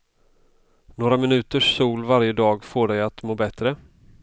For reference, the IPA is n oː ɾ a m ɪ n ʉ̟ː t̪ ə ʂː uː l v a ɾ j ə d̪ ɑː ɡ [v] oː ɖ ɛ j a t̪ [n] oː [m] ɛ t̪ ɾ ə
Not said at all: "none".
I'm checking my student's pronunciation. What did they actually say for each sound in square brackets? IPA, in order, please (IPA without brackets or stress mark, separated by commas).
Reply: f, m, b